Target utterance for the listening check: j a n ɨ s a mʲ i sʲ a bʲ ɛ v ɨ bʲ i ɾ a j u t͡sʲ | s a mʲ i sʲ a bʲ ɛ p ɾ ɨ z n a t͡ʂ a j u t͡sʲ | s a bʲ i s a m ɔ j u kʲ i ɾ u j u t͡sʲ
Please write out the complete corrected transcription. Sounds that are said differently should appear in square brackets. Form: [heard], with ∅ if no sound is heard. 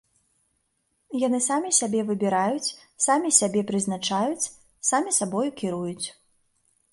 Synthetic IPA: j a n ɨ s a mʲ i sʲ a bʲ ɛ v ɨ bʲ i ɾ a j u t͡sʲ | s a mʲ i sʲ a bʲ ɛ p ɾ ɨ z n a t͡ʂ a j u t͡sʲ | s a [mʲ] i s a [b] ɔ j u kʲ i ɾ u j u t͡sʲ